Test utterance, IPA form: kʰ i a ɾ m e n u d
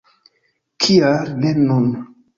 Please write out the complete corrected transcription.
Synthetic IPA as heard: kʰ i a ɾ n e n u n